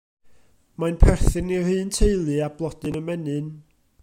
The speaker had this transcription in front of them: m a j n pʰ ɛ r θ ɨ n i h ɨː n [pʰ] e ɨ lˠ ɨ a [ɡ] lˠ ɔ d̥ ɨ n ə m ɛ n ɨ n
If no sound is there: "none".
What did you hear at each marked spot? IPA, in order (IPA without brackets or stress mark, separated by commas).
tʰ, b